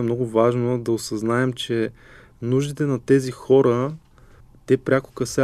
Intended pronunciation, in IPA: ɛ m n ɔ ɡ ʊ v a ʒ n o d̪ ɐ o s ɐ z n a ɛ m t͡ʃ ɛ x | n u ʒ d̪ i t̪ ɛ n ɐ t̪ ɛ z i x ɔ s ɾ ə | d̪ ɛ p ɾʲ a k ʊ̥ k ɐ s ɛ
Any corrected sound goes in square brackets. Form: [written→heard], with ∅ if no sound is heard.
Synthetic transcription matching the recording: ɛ m n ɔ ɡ ʊ v a ʒ n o d̪ ɐ o s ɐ z n a ɛ m t͡ʃ ɛ [x→∅] | n u ʒ d̪ i t̪ ɛ n ɐ t̪ ɛ z i x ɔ [s→∅] ɾ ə | [d̪→t̪] ɛ p ɾʲ a k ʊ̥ k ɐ s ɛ